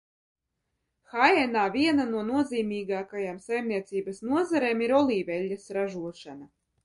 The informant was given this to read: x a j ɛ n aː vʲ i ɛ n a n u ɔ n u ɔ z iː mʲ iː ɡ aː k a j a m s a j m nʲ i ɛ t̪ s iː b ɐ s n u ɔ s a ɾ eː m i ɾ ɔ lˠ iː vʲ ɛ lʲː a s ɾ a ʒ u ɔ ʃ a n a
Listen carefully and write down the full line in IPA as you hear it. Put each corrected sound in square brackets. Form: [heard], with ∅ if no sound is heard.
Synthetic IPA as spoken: x a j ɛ n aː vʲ i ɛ n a n u ɔ n u ɔ z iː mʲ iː ɡ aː k a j a m s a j m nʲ i ɛ t̪ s iː b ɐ s n u ɔ [z] a ɾ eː m i ɾ ɔ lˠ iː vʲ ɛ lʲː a s ɾ a ʒ u ɔ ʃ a n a